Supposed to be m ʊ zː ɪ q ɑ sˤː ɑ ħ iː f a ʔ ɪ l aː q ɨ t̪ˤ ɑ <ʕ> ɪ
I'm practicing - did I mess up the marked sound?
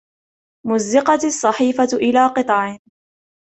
no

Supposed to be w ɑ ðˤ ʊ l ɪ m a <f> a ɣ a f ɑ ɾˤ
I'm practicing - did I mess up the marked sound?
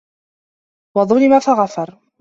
no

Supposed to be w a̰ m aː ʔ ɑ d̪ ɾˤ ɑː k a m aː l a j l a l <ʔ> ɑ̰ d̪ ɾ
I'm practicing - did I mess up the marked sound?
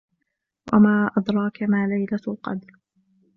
yes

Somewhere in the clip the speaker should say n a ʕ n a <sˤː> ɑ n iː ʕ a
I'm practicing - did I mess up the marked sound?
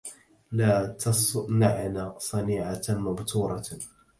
yes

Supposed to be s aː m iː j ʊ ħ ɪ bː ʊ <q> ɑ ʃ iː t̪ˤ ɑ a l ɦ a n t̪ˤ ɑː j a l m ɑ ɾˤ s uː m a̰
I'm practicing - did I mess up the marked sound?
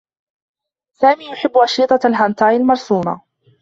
yes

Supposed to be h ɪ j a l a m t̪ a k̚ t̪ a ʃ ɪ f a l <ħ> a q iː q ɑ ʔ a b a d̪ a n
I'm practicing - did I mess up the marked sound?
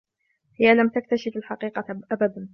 no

